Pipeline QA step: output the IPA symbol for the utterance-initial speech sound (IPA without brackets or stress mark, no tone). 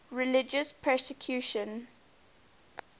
ɹ